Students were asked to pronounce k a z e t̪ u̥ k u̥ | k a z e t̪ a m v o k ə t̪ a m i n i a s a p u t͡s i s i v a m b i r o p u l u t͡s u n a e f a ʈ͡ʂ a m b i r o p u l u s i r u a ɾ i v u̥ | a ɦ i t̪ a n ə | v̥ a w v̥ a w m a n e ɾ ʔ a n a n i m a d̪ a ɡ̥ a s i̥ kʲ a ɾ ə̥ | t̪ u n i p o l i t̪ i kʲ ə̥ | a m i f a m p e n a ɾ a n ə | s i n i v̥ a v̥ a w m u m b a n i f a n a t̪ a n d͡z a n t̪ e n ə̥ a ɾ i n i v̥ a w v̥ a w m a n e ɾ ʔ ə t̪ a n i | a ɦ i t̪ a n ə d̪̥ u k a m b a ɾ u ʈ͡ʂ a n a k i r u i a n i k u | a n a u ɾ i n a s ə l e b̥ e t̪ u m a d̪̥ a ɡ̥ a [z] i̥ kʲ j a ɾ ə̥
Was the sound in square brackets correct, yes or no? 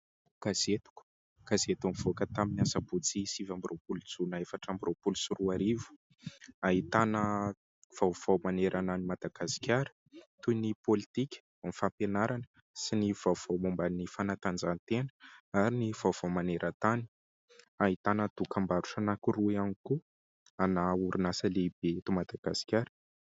no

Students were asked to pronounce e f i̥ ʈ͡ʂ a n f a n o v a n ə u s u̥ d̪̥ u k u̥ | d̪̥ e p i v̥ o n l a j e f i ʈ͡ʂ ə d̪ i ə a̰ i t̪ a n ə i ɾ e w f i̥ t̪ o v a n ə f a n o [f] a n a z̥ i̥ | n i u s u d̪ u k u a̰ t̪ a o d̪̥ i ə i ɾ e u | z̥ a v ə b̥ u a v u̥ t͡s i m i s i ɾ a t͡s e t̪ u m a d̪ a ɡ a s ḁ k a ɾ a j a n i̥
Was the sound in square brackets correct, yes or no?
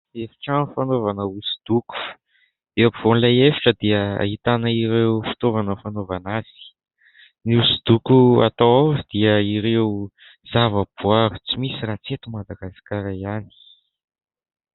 no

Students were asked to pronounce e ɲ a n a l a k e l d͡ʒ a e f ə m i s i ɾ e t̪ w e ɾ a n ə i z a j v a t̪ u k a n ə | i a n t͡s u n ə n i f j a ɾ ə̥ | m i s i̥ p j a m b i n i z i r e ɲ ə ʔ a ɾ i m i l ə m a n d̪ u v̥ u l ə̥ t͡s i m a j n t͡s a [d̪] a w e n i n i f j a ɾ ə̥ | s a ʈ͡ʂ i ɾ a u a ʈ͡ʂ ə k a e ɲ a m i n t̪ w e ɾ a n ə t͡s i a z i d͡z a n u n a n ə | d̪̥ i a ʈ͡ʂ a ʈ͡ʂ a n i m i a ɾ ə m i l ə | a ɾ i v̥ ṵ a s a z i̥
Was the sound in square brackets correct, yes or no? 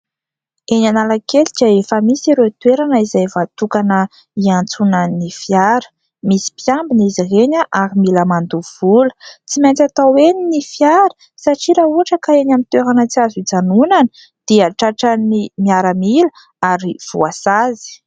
no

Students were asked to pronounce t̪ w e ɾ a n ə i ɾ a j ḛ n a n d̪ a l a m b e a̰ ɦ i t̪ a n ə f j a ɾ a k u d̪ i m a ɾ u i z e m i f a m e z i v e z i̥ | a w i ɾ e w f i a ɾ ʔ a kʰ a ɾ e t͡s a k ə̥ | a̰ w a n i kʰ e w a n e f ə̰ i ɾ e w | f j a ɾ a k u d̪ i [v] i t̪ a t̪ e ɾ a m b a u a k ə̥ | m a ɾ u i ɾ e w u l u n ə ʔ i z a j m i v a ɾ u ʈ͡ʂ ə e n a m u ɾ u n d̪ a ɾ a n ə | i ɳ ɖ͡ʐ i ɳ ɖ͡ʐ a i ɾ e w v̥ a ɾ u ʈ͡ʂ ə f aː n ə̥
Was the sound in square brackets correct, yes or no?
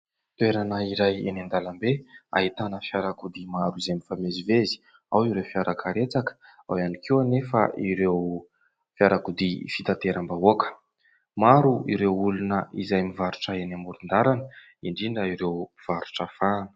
no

